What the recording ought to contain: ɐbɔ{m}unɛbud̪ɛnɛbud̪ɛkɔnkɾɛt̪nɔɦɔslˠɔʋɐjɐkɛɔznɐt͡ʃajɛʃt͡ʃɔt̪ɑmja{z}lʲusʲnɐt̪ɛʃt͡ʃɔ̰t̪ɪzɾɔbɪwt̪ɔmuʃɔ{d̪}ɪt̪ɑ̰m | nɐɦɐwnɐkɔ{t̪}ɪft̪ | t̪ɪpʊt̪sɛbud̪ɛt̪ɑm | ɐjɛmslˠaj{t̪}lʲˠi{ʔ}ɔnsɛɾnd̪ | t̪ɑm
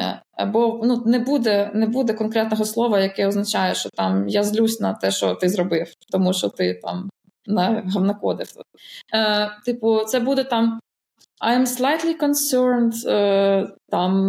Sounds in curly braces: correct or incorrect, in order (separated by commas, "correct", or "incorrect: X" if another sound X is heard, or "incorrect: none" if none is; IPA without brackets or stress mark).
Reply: incorrect: n, correct, incorrect: t̪, incorrect: d̪, correct, incorrect: k